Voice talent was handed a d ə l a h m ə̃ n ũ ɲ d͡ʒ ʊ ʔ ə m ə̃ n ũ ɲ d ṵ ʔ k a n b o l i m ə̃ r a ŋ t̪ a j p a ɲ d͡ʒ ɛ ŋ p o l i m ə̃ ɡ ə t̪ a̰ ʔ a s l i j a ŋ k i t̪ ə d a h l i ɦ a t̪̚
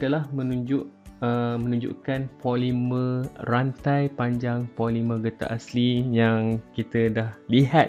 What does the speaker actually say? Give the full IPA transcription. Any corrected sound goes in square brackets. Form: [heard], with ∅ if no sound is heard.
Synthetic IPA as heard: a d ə l a h m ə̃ n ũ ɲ d͡ʒ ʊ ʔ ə m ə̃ n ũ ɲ [d͡ʒ] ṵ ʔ k a n [p] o l i m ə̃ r a [n] t̪ a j p a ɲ d͡ʒ [a] ŋ p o l i m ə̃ ɡ ə t̪ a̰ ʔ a s l i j a ŋ k i t̪ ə d a h l i ɦ a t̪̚